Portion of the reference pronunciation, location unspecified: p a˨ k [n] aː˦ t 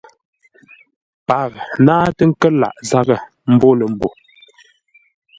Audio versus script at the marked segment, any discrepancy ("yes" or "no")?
no